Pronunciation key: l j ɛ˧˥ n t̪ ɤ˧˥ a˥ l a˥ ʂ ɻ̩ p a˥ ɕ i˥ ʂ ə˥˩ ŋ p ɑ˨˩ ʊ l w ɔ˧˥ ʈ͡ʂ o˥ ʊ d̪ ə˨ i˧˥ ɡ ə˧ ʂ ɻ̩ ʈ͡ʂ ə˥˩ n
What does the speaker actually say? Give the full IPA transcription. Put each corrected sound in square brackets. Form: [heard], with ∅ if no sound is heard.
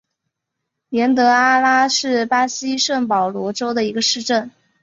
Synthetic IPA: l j ɛ˧˥ n t̪ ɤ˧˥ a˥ l a˥ ʂ ɻ̩ p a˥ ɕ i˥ ʂ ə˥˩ ŋ p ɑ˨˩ ʊ l w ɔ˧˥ ʈ͡ʂ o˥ ʊ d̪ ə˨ i˧˥ ɡ ə˧ ʂ ɻ̩ ʈ͡ʂ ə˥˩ n